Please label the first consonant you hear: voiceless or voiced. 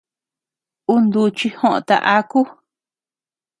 voiced